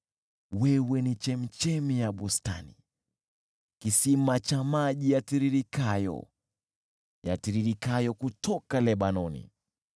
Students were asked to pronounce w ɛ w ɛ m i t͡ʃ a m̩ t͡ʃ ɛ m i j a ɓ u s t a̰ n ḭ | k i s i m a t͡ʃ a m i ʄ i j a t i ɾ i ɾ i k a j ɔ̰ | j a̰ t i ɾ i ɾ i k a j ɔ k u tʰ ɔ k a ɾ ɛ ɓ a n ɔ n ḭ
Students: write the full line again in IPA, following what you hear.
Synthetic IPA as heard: w ɛ w ɛ n i t͡ʃ ɛ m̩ t͡ʃ ɛ m i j a ɓ u s t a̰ n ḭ | k i s i m a t͡ʃ a m a ʄ i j a t i ɾ i ɾ i k a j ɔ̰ | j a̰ t i ɾ i ɾ i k a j ɔ k u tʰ ɔ k a l ɛ ɓ a n ɔ n ḭ